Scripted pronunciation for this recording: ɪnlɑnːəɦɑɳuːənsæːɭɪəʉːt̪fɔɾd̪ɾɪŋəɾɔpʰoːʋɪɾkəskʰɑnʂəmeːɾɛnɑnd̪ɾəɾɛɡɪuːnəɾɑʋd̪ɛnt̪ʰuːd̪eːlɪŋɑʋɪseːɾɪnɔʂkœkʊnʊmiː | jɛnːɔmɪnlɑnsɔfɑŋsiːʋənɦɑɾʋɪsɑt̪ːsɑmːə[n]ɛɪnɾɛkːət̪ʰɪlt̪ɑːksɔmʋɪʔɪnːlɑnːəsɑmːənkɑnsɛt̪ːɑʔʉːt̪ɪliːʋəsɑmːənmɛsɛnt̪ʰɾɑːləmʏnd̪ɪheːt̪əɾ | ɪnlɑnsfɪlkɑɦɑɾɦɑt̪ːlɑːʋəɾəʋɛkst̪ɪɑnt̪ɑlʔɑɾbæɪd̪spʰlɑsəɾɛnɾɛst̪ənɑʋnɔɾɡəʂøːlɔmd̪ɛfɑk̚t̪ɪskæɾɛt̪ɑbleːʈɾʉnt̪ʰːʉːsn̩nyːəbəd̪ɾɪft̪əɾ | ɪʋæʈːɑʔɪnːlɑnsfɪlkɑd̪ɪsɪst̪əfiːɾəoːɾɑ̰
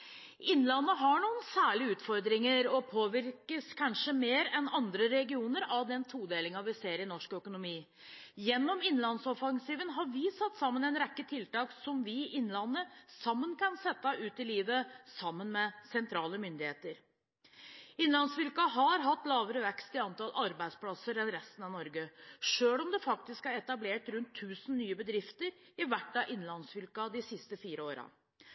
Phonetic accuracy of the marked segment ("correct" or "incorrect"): correct